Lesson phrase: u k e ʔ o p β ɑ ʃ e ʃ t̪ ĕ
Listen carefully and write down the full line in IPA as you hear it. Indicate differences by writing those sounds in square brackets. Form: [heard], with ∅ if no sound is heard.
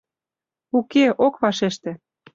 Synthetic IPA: u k e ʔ o [k] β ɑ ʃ e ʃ t̪ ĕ